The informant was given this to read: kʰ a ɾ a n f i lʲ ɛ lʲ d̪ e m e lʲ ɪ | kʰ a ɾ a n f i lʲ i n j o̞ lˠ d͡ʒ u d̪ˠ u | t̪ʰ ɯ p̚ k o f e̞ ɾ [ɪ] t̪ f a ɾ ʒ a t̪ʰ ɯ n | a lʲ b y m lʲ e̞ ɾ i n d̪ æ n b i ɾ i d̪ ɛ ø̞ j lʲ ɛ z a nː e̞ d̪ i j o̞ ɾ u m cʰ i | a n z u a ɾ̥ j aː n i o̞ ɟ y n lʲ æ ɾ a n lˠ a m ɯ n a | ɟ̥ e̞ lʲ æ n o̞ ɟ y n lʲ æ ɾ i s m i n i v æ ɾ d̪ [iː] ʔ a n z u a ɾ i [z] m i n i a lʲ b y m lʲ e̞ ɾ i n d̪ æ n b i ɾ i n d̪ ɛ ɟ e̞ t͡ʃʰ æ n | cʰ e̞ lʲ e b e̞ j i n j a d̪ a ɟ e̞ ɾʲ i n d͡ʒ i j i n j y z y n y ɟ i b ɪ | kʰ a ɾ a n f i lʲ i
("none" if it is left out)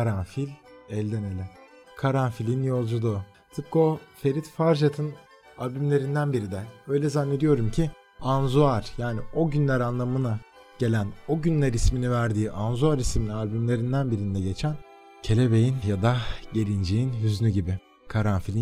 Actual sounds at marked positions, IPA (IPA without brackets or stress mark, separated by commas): i, iː, s